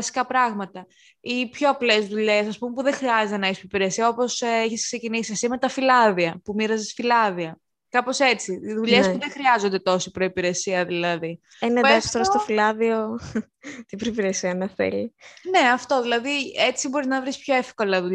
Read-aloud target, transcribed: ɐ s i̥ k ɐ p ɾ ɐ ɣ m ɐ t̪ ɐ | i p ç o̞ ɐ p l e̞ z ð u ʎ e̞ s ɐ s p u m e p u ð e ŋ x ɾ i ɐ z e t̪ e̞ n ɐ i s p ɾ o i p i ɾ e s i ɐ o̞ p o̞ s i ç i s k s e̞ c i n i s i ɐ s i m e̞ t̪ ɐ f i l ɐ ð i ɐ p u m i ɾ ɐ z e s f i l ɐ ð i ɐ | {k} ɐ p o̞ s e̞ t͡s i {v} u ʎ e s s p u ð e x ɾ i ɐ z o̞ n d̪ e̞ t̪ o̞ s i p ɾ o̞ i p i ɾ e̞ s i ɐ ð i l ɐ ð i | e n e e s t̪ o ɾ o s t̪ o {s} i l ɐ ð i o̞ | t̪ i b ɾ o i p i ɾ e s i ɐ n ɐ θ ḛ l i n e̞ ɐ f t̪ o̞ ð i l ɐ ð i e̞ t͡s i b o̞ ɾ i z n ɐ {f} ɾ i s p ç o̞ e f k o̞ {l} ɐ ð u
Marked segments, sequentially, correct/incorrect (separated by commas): correct, incorrect, incorrect, incorrect, correct